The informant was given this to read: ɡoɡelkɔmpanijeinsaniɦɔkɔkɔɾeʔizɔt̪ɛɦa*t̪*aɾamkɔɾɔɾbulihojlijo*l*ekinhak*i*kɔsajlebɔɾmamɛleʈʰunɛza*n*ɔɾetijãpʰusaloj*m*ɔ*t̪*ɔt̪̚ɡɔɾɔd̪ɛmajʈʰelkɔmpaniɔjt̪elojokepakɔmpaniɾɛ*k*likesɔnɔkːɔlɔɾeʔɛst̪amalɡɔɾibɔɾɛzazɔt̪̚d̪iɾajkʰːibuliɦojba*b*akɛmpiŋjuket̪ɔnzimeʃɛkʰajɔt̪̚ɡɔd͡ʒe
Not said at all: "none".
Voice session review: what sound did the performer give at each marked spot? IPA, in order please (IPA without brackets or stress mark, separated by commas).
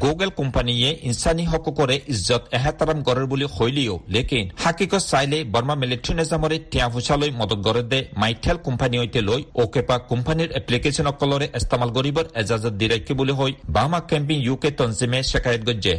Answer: t̪, l, i, m, m, d̪, p, m